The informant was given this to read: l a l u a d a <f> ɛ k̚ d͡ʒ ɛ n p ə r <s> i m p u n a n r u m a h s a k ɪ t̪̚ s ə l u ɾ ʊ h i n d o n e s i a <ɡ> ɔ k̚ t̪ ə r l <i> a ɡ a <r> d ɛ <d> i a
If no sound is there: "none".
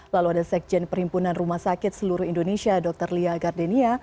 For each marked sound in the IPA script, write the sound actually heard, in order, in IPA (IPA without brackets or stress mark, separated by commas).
s, h, d, i, r, n